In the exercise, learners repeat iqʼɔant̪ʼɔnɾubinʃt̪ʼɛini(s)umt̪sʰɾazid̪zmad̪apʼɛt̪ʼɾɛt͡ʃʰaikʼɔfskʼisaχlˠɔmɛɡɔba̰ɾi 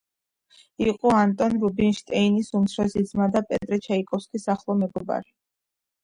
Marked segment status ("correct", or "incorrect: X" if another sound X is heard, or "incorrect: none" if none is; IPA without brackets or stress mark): correct